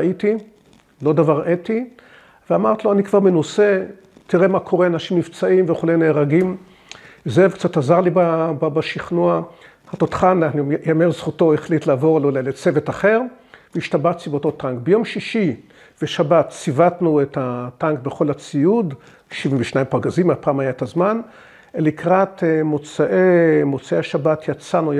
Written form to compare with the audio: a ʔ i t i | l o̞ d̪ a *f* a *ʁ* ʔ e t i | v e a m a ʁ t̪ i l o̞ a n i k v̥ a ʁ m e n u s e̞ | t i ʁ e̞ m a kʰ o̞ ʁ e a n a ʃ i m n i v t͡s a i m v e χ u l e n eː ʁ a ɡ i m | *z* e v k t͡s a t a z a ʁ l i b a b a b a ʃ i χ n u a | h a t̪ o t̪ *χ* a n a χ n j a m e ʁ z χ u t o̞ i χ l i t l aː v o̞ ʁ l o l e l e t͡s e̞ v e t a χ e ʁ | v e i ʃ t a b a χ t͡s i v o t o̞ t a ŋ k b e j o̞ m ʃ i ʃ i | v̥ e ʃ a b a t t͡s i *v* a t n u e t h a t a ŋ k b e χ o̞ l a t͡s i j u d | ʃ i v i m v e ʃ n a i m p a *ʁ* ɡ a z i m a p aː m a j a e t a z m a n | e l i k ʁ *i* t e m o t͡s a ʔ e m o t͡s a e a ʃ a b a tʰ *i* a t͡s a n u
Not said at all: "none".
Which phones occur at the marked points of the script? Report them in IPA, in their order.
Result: v, ʁ, z, χ, v, ʁ, a, j

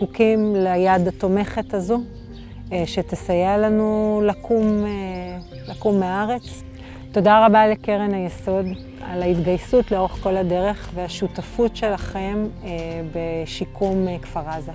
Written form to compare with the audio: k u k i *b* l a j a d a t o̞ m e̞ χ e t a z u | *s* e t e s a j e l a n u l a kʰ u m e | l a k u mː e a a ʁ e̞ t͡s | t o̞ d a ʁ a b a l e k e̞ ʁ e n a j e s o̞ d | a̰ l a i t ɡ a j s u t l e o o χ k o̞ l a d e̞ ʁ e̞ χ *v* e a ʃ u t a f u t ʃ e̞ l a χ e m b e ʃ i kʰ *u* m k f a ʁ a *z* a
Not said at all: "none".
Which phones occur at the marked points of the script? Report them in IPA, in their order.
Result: m, ʃ, v, u, z

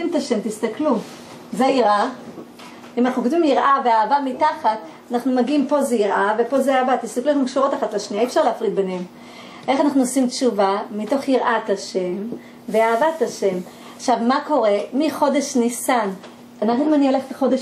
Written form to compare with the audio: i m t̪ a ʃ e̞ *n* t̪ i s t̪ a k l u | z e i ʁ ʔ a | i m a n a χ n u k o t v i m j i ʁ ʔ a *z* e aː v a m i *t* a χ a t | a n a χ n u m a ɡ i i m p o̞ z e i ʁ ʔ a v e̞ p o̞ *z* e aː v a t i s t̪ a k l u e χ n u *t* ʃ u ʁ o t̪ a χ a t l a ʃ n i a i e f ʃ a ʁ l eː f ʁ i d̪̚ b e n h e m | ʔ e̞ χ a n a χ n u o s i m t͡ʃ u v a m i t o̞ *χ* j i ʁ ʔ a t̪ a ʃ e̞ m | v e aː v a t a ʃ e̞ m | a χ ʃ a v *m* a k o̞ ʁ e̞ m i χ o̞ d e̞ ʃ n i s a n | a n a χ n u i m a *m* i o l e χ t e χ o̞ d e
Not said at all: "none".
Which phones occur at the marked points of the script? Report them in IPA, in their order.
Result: m, v, t, z, k, χ, m, n

